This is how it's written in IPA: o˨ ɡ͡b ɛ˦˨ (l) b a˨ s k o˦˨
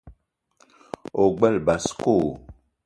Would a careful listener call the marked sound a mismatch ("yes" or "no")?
no